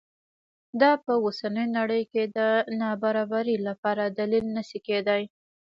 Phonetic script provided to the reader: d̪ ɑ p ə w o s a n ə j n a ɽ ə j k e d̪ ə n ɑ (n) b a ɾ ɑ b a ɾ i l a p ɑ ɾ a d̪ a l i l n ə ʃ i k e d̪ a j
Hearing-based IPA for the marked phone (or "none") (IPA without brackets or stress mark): none